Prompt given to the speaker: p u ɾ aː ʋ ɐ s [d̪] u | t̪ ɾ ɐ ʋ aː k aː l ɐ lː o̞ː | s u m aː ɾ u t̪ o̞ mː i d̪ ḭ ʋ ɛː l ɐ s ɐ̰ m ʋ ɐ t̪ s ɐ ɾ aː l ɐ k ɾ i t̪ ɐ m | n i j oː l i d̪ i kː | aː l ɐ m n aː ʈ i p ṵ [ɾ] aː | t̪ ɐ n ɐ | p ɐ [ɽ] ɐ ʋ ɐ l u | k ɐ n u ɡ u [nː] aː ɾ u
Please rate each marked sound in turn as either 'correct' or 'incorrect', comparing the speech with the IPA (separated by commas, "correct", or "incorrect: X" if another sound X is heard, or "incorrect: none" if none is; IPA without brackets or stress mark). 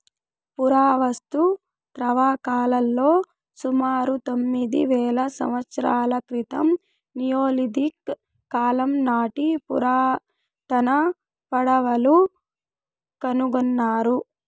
incorrect: t̪, correct, correct, correct